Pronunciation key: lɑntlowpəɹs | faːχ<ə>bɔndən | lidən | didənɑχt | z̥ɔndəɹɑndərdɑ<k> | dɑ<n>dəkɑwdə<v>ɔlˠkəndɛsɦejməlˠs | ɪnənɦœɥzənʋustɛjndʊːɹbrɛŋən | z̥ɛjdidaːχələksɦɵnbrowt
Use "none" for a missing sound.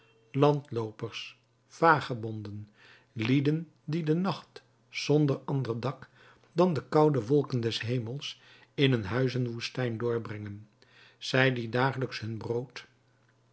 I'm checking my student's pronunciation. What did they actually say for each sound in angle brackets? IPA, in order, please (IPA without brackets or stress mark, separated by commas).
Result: ə, k, n, ʋ